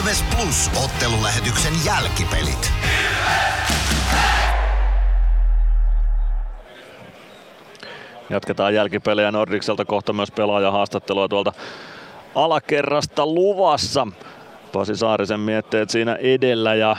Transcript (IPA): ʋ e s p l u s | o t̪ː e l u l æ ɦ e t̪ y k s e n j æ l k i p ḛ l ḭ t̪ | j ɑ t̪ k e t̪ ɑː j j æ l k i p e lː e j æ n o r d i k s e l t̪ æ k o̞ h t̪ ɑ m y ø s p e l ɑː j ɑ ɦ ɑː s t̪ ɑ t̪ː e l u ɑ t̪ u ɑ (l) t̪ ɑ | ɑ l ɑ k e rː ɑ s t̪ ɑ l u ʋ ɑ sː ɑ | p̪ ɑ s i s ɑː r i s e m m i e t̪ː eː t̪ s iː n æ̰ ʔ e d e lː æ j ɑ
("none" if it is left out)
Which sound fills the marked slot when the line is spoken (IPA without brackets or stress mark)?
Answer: l